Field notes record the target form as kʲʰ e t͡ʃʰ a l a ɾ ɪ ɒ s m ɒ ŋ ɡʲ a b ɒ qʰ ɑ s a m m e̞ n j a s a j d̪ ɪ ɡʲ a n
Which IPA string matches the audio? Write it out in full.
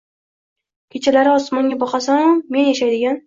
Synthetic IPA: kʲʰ e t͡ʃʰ a l a ɾ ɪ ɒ s m ɒ ŋ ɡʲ a b ɒ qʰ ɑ s a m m e̞ n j a ʃ a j d̪ ɪ ɡʲ a n

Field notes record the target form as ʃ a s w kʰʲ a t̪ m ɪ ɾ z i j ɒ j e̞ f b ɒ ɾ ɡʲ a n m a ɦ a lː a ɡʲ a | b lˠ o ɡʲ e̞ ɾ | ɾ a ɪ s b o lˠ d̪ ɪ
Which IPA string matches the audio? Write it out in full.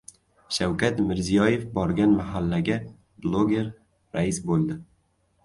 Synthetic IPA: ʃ a w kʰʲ a t̪ m ɪ ɾ z i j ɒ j e̞ f b ɒ ɾ ɡʲ a n m a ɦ a lː a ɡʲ a | b lˠ o ɡʲ e̞ ɾ | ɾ a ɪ s b o lˠ d̪ ɪ

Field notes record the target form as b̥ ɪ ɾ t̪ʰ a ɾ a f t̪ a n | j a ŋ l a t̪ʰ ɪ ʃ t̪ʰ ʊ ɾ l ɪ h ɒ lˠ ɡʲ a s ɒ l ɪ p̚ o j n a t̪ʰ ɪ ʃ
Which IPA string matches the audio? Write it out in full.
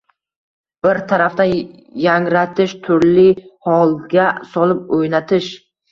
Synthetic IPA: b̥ ɪ ɾ t̪ʰ a ɾ a f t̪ a n | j a ŋ ɾ a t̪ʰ ɪ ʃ t̪ʰ ʊ ɾ l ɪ h ɒ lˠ ɡʲ a s ɒ l ɪ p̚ o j n a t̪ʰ ɪ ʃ

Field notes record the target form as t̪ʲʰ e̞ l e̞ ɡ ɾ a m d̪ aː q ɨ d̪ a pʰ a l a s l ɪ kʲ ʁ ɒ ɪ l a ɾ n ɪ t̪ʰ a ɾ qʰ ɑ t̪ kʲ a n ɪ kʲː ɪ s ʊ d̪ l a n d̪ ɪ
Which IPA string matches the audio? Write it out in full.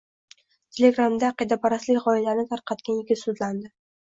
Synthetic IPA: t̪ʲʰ e̞ l e̞ ɡ ɾ a m d̪ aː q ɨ d̪ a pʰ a ɾ a s l ɪ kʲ ʁ ɒ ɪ l a ɾ n ɪ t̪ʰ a ɾ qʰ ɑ t̪ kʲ a n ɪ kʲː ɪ s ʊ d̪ l a n d̪ ɪ

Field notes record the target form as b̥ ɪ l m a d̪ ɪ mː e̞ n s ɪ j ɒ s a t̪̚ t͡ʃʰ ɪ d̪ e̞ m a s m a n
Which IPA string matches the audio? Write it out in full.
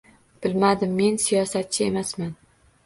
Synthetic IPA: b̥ ɪ l m a d̪ ɪ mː e̞ n s i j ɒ s a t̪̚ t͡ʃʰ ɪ e̞ m a s m a n

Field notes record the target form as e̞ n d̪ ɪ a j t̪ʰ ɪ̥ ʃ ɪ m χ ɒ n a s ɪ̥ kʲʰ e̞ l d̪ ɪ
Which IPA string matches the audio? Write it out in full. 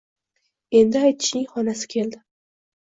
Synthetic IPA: e̞ n d̪ ɪ a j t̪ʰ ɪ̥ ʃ ɪ ŋ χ ɒ n a s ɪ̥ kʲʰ e̞ l d̪ ɪ

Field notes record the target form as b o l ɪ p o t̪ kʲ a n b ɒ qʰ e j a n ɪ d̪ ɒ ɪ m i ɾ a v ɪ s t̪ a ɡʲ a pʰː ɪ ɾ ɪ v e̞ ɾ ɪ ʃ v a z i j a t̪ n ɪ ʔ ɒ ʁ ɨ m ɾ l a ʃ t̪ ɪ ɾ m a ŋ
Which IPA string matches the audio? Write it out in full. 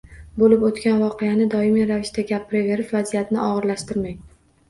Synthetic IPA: b o l ɪ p o t̪ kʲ a n v ɒ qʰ e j a n ɪ d̪ ɒ ɪ m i ɾ a v ɪ ʃ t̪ a ɡʲ a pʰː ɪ ɾ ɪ v e̞ ɾ ɪ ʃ v a z i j a t̪ n ɪ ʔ ɒ ʁ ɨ ɾ l a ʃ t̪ ɪ ɾ m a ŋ

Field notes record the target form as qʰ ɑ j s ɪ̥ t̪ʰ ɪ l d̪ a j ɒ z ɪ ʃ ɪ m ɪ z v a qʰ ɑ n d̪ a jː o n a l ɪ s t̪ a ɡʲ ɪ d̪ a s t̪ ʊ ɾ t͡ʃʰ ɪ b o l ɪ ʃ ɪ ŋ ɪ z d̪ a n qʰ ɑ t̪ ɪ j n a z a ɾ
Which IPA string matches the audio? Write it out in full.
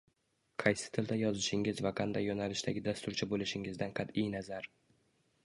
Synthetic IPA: qʰ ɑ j s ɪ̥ t̪ʰ ɪ l d̪ a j ɒ z ɪ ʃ ɪ ŋ ɪ z v a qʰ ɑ n d̪ a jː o n a l ɪ ʃ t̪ a ɡʲ ɪ d̪ a s t̪ ʊ ɾ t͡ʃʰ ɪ b o l ɪ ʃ ɪ ŋ ɪ z d̪ a n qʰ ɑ t̪ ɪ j n a z a ɾ

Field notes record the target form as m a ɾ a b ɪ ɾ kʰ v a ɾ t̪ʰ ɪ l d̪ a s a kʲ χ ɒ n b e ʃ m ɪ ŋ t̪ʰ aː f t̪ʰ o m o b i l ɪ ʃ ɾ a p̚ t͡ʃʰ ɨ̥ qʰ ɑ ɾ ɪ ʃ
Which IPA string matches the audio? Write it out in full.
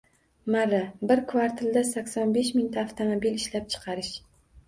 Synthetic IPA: m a ɾ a b ɪ ɾ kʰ v a ɾ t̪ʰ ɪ l d̪ a s a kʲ s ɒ n b e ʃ m ɪ ŋ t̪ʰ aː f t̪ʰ o m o b i l ɪ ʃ l a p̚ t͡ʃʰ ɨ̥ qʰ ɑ ɾ ɪ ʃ

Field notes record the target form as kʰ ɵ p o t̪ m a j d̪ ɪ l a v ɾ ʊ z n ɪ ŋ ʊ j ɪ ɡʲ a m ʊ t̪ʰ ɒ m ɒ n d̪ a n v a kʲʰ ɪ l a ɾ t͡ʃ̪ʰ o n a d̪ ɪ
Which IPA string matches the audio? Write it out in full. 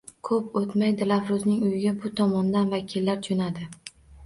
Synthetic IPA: kʰ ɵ p o t̪ m a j d̪ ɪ l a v ɾ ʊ z n ɪ ŋ ʊ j ɪ ɡʲ a b ʊ t̪ʰ ɒ m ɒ n d̪ a n v a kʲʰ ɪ lː a ɾ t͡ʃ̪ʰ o n a d̪ ɪ

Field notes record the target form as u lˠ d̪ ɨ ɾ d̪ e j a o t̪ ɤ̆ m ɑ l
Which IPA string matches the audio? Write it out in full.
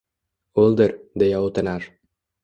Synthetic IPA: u lˠ d̪ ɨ ɾ d̪ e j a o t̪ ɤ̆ n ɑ ɾ

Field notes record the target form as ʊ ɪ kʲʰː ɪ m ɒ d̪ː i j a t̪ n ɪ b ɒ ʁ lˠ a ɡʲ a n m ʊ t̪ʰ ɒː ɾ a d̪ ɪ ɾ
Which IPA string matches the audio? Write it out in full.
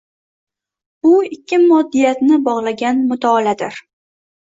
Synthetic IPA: ʊ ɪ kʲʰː ɪ m ɒ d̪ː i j a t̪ n ɪ b ɒ ʁ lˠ a ɡʲ a n m ʊ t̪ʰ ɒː l a d̪ ɪ ɾ

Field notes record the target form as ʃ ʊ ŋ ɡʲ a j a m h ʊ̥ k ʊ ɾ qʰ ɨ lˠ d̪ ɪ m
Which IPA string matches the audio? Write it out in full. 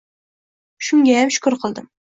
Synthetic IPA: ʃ ʊ ŋ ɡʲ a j a m ʃ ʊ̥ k ʊ ɾ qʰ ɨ lˠ d̪ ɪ m

